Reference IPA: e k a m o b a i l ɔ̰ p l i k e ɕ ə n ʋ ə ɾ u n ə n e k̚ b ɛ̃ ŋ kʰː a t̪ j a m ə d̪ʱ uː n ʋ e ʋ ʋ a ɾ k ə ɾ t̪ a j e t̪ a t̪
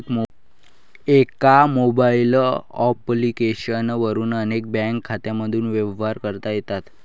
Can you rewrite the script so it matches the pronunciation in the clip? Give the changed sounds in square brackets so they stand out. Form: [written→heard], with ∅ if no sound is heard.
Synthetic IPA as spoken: e k a m o b a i l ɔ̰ p l i k e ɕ ə n ʋ ə ɾ [u→uː] n ə n e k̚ b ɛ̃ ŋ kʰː a t̪ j a m ə d̪ʱ uː n ʋ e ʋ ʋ a ɾ k ə ɾ t̪ a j e t̪ a t̪